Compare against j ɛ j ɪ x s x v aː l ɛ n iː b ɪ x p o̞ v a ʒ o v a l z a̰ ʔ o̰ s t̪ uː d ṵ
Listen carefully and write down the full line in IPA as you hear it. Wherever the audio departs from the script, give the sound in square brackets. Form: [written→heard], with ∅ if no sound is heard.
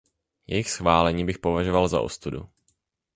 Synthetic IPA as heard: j ɛ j ɪ x s x v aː l ɛ [n→ɲ] iː b ɪ x p o̞ v a ʒ o v a l z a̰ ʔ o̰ s t̪ [uː→u] d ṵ